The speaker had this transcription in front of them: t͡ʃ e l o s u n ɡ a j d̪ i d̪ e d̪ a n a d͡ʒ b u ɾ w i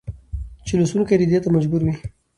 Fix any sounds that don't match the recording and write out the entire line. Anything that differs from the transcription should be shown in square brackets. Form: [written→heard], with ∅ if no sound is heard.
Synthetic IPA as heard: t͡ʃ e l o s u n [ɡ→k] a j d̪ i d̪ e [d̪→t̪] a [n→m] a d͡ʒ b u ɾ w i